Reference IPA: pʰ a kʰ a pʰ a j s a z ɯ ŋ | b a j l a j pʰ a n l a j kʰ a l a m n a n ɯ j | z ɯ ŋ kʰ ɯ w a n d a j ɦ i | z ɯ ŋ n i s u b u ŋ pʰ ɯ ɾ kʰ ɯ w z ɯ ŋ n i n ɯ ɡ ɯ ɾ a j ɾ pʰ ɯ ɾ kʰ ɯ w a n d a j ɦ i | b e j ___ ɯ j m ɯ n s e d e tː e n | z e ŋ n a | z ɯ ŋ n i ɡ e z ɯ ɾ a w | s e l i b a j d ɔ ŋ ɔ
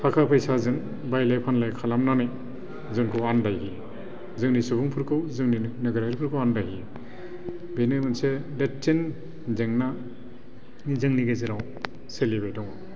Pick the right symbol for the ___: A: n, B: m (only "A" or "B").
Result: A